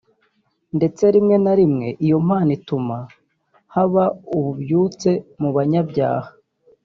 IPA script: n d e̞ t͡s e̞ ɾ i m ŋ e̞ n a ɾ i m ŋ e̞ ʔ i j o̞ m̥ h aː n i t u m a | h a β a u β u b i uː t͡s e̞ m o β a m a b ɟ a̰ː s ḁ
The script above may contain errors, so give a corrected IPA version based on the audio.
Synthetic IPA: n d e̞ t͡s e̞ ɾ i m ŋ e̞ n a ɾ i m ŋ e̞ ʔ i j o̞ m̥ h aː n i t u m a | h a β a u β u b j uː t͡s e̞ m u β a ɲ a b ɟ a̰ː h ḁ